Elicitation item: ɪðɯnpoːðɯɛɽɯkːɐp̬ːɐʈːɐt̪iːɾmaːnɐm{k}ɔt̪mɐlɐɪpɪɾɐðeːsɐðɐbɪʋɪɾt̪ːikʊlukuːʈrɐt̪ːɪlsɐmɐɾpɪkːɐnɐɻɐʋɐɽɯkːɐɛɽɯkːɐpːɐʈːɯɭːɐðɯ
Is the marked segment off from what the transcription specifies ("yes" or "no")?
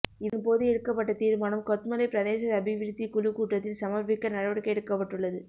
no